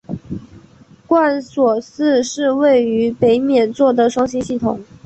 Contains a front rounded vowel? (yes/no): yes